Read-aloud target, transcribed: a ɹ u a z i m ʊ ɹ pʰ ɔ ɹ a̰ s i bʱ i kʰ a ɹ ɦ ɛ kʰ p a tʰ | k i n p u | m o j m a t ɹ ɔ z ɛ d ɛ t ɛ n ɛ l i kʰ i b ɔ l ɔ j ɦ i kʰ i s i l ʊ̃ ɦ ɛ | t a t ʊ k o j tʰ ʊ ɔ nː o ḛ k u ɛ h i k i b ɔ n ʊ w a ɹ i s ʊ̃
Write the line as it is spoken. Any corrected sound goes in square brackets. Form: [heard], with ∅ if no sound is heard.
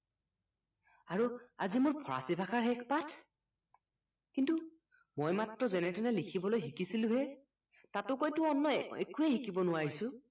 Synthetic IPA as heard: a ɹ u a z i m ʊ ɹ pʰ ɔ ɹ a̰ s i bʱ [a] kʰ a ɹ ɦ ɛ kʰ p a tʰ | k i n [t] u | m o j m a t ɹ ɔ z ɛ [n] ɛ t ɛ n ɛ l i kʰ i b ɔ l [o] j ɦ i [k] i s i l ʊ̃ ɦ ɛ | t a t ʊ k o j [t] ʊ ɔ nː [ɔ] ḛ k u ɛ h i k i b ɔ n ʊ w a ɹ i s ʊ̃